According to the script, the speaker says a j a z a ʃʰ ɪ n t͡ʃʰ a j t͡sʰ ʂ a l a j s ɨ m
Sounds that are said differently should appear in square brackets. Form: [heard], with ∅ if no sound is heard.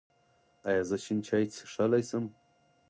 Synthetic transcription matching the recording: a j a z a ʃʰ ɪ n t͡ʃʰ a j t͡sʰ ʂ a l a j s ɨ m